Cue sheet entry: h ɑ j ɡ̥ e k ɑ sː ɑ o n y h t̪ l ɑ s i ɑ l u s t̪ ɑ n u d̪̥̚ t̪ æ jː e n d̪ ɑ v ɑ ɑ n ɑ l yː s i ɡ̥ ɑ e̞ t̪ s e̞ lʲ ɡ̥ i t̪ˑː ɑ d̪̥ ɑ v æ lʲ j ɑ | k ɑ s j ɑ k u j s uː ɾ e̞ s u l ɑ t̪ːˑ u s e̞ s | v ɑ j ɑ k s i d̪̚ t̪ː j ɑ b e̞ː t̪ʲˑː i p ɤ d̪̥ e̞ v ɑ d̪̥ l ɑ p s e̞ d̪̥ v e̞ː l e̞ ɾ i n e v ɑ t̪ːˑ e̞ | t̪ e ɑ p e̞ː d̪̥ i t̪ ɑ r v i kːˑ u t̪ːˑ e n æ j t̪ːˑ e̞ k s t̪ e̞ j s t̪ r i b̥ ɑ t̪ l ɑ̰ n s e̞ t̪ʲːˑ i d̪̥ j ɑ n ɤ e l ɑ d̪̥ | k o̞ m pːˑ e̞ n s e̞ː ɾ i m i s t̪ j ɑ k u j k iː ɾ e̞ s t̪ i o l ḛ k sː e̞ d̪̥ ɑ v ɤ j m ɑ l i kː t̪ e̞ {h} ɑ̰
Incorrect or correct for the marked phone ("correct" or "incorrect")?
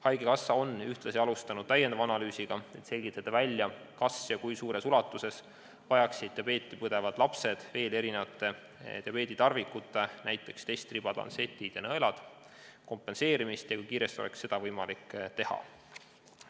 correct